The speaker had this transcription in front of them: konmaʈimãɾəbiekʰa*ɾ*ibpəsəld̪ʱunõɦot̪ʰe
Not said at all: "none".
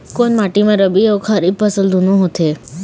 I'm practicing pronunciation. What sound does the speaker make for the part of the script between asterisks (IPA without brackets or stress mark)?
ɾ